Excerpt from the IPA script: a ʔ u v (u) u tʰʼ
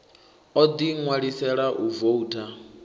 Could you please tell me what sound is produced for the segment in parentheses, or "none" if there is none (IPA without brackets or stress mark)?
o